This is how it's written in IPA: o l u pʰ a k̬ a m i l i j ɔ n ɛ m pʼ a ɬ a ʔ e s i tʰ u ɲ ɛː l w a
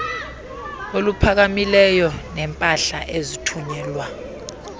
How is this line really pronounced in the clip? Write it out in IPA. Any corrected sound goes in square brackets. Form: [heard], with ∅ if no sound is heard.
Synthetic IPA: o l u pʰ a k̬ a m i l [ɛ] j ɔ n ɛ m pʼ a ɬ a ʔ e [z] i tʰ u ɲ ɛː l w a